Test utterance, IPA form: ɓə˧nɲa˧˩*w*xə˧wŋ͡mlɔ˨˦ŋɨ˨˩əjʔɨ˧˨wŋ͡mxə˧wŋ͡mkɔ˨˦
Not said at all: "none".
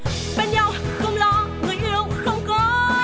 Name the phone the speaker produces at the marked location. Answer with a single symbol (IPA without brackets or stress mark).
w